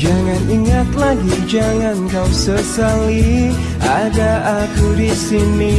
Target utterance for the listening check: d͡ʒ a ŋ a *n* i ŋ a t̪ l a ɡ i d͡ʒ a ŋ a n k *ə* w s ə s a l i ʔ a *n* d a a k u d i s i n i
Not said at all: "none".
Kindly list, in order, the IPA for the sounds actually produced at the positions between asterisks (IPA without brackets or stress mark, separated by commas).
n, a, none